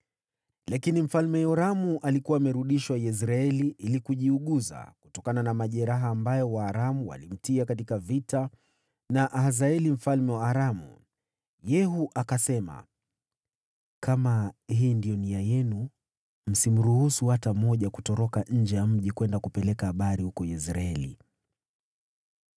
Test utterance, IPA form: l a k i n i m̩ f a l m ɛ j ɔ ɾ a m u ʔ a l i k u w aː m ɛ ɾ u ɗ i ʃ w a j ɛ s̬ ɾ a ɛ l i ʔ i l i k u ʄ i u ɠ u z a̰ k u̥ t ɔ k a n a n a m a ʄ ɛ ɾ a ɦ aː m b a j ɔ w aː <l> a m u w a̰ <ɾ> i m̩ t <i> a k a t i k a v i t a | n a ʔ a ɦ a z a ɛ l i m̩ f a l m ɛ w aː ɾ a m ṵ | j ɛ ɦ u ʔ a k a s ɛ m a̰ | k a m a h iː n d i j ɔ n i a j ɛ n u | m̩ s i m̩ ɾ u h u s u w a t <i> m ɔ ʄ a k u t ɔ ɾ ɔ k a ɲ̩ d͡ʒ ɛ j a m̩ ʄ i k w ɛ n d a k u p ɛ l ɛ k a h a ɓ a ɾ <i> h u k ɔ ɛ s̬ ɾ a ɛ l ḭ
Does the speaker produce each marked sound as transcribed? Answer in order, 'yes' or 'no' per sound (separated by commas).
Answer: no, no, yes, no, yes